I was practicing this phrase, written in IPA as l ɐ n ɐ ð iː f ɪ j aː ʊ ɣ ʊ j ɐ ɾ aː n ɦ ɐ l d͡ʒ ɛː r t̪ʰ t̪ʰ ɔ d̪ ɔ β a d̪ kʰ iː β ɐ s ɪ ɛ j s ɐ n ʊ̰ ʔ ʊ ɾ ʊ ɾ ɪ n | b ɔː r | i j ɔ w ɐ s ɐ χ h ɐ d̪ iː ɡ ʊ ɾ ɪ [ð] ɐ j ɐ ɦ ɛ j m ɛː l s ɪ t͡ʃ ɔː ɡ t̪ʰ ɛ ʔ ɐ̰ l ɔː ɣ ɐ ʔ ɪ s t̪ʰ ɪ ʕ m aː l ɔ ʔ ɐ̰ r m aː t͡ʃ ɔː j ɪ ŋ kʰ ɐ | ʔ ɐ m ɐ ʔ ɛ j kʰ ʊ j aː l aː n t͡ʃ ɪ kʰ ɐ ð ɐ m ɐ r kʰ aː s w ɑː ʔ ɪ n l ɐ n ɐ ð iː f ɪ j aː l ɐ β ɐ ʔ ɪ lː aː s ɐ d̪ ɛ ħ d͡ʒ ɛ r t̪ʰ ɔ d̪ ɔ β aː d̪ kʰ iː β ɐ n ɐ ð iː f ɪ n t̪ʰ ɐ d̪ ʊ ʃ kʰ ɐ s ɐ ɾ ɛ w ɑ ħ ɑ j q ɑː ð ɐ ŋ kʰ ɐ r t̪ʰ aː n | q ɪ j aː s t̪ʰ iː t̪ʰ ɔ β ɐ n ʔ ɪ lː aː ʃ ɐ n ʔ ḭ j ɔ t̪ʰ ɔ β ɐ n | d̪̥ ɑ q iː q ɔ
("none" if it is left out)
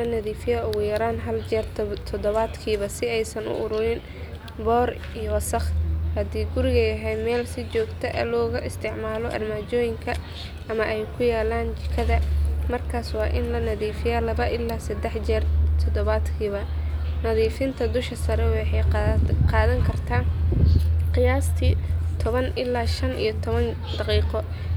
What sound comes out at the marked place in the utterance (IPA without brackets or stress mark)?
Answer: ɣ